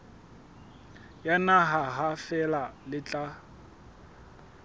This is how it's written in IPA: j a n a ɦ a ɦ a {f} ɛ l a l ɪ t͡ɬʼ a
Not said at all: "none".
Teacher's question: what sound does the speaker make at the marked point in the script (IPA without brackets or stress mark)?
f